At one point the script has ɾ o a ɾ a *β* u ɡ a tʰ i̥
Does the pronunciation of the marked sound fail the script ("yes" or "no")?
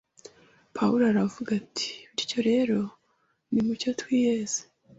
yes